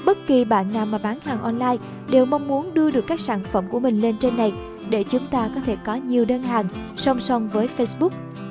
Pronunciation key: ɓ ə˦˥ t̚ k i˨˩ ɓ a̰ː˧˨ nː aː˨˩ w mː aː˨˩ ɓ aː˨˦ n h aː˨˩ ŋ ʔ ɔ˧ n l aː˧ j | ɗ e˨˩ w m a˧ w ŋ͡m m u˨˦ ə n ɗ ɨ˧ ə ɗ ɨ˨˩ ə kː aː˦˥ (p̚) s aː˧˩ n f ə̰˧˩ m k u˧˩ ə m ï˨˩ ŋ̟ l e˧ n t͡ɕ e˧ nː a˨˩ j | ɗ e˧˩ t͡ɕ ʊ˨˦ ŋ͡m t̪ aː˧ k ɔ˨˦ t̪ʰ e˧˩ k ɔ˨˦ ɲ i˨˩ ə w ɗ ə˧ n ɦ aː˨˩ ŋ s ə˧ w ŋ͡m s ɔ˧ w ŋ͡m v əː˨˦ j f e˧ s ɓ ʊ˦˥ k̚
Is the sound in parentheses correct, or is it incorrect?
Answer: incorrect